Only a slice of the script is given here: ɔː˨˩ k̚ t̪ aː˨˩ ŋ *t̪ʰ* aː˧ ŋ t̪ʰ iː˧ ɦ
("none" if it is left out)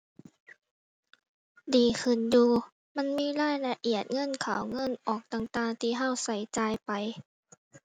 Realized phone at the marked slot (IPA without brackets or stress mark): t̪